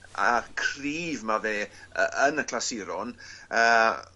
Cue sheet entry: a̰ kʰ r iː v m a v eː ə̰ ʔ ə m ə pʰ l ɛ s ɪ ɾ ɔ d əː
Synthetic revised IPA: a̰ kʰ r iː v m a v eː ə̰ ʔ ə n ə kʰ l a s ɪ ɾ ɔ n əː